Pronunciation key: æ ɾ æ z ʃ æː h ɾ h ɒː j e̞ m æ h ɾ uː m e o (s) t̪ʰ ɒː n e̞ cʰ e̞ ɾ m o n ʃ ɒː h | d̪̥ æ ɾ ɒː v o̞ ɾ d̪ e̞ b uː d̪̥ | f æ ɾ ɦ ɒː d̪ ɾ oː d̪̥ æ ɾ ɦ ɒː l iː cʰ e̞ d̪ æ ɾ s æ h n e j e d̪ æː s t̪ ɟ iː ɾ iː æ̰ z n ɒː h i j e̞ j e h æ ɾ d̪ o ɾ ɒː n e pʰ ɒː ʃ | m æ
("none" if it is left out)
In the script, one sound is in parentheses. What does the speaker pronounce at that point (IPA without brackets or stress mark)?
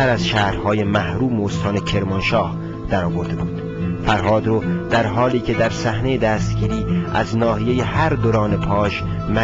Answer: s